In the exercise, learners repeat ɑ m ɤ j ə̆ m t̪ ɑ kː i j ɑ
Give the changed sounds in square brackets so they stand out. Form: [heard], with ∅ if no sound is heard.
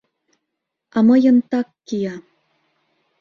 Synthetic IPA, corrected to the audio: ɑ m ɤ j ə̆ [n] t̪ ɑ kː i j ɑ

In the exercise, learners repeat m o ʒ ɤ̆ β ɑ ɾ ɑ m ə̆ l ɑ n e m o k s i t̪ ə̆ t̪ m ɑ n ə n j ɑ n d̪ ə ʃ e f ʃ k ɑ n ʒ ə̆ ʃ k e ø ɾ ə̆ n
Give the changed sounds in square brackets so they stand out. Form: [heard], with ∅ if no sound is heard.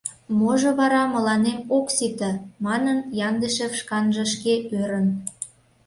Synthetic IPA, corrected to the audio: m o ʒ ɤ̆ β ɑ ɾ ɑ m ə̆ l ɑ n e m o k s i t̪ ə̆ [∅] m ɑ n ə n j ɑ n d̪ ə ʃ e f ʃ k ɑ n ʒ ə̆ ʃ k e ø ɾ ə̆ n

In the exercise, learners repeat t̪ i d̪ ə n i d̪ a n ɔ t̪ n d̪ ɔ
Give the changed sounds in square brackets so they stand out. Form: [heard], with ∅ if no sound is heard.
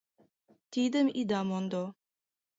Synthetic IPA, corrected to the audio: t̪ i d̪ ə [m] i d̪ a [m] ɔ [∅] n d̪ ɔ

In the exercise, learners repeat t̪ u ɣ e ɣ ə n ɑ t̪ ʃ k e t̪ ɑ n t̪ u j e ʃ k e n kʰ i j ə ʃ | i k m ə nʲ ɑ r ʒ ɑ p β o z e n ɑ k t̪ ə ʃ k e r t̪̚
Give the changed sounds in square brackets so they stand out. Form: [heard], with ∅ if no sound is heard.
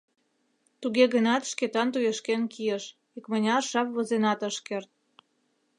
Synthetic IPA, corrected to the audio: t̪ u ɣ e ɣ ə n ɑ t̪ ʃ k e t̪ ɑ n t̪ u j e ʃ k e n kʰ i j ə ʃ | i k m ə nʲ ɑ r [ʃ] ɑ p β o z e n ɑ [∅] t̪ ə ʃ k e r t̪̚

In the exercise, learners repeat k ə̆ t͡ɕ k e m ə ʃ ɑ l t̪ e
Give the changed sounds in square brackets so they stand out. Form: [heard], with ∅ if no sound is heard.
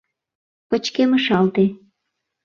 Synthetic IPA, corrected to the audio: [p] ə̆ t͡ɕ k e m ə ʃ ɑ l t̪ e

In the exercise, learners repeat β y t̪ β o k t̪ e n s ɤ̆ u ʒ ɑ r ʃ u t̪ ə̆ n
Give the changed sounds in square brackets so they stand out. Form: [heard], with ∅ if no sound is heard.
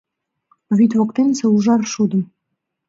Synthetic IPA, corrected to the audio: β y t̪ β o k t̪ e n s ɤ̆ u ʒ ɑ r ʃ u [d̪] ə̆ [m]

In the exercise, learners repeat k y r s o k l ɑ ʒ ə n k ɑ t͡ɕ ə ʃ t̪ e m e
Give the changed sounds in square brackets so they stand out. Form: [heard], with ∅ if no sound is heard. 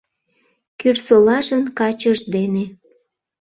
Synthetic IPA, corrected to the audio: k y r s o [∅] l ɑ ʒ ə n k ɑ t͡ɕ ə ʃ [d̪] e [n] e

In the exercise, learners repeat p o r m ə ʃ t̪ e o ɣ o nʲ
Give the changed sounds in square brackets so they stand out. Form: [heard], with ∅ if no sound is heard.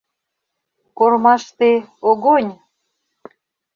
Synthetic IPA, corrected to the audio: [k] o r m [ɑ] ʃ t̪ e o ɣ o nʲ

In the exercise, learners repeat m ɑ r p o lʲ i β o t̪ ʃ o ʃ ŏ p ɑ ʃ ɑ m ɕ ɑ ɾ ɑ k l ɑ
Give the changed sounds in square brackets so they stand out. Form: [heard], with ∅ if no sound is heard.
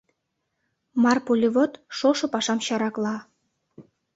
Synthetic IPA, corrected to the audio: m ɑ r p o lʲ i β o t̪ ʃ o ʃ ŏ p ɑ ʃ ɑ m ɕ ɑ ɾ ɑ k l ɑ

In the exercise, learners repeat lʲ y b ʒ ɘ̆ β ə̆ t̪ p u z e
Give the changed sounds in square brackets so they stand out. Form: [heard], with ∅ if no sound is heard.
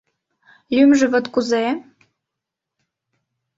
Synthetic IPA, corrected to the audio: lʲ y [m] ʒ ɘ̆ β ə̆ t̪ [k] u z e

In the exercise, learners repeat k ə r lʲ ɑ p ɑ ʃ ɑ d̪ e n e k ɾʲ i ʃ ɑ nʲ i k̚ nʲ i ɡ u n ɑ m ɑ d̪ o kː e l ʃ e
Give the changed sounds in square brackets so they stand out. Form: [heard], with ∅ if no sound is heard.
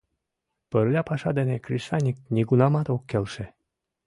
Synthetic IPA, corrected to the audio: [p] ə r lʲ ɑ p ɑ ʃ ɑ d̪ e n e k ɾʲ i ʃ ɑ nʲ i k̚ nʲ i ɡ u n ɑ m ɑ [t̪] o kː e l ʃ e

